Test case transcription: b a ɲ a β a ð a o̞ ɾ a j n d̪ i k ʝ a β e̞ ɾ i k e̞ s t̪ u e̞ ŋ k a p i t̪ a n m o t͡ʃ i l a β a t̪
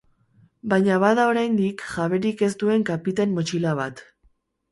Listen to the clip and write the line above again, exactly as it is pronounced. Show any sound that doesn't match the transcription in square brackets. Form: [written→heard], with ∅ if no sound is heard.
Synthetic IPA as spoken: b a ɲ a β a ð a o̞ ɾ a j n d̪ i k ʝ a β e̞ ɾ i k e̞ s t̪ u e̞ ŋ k a p i t̪ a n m o t͡ʃ i l a β a t̪